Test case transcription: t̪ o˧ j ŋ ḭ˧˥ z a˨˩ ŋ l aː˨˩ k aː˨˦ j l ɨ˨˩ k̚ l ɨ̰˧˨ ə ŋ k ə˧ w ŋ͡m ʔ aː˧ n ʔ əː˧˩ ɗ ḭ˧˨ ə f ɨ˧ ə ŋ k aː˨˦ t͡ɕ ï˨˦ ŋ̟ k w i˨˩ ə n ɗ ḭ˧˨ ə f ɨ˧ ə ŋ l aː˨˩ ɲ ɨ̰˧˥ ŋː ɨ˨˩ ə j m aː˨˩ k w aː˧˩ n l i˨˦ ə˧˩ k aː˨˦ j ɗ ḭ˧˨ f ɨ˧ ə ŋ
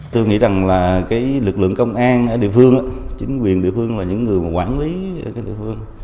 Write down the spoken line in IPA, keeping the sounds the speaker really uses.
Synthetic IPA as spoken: t̪ o˧ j ŋ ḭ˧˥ z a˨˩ ŋ l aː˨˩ k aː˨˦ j l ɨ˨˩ k̚ l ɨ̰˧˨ ə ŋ k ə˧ w ŋ͡m ʔ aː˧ n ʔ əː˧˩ ɗ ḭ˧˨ ə f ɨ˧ ə ŋ ʔ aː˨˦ t͡ɕ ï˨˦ ŋ̟ k w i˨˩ ə n ɗ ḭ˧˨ ə f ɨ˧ ə ŋ l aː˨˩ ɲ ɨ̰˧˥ ŋː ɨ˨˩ ə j m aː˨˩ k w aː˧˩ n l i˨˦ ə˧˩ k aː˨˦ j ɗ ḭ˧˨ f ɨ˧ ə ŋ